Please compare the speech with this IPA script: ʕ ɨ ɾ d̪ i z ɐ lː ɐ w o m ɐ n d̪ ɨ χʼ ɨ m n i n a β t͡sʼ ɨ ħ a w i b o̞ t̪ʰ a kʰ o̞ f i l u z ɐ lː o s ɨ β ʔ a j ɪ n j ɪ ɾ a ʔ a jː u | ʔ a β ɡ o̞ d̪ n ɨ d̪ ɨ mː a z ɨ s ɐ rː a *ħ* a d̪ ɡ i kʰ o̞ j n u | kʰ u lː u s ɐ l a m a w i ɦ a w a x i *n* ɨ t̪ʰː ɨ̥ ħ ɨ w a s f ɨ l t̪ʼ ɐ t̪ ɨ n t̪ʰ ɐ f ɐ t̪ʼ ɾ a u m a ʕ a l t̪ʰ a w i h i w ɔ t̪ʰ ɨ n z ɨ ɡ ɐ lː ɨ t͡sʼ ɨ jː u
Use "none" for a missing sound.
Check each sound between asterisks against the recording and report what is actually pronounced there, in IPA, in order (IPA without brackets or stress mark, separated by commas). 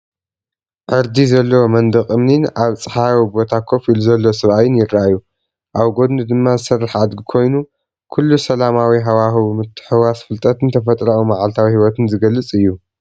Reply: ħ, m